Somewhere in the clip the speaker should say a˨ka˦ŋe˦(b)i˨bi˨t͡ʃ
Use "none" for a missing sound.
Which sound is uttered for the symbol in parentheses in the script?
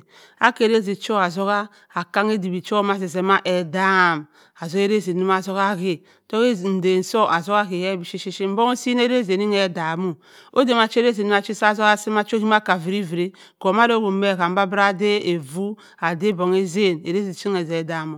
d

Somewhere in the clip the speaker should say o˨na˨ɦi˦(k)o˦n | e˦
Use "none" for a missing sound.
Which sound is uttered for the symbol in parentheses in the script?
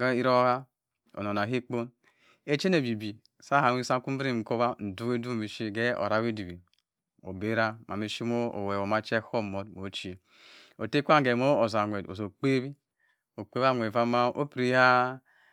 k͡p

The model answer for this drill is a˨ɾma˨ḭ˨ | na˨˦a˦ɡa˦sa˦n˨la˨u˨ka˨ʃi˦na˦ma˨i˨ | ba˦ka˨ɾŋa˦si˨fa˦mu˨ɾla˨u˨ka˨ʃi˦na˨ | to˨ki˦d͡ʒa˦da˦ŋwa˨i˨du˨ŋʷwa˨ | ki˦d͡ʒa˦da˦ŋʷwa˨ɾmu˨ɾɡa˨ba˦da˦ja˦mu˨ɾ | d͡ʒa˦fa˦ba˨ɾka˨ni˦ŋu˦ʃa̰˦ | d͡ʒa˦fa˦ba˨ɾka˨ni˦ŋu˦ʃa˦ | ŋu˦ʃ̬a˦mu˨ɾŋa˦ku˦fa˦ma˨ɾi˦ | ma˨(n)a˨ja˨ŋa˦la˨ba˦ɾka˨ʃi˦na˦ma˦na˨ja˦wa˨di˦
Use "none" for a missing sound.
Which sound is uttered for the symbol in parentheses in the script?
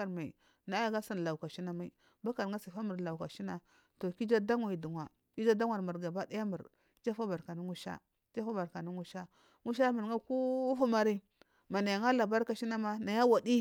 n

